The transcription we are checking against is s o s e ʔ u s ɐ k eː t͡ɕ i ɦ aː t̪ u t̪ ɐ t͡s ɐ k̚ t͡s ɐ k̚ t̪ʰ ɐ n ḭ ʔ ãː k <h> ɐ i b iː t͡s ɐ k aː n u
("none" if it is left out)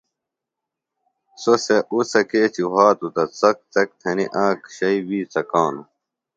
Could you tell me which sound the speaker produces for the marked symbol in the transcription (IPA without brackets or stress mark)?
ɕ